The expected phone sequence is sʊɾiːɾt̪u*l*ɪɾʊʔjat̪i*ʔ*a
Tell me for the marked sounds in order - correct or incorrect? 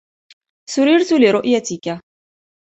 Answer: correct, incorrect

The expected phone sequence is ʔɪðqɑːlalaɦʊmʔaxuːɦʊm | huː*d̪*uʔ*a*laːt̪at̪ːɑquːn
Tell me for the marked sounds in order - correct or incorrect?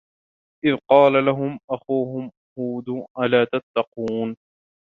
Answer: correct, correct

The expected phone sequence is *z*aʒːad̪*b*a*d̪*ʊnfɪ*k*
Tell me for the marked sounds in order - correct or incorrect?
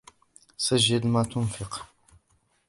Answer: incorrect, incorrect, incorrect, incorrect

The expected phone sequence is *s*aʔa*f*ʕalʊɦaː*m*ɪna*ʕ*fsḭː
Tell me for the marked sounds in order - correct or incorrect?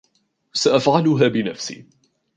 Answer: correct, correct, incorrect, incorrect

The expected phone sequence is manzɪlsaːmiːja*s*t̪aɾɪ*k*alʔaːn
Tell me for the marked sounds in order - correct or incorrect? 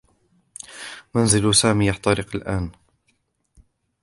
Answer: incorrect, incorrect

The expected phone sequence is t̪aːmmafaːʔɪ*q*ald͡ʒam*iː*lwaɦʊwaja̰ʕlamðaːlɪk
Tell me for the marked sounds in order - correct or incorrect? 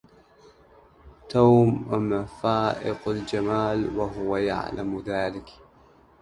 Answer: correct, incorrect

